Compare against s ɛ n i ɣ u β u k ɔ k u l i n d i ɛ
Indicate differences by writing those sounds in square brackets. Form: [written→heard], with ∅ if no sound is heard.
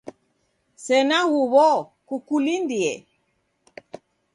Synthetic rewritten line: s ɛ n [i→a] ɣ u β [u→ɔ] k [ɔ→u] k u l i n d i ɛ